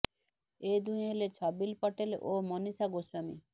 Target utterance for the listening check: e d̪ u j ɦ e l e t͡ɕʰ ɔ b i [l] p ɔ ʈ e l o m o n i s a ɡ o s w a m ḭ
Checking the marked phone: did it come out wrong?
no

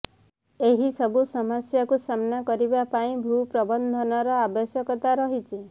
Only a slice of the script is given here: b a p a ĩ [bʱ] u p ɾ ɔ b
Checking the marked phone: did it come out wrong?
no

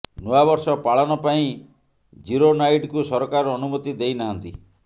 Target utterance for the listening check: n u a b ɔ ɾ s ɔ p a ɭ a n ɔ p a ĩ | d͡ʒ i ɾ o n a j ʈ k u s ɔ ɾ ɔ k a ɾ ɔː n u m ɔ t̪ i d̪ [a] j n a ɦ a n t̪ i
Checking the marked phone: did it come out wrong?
yes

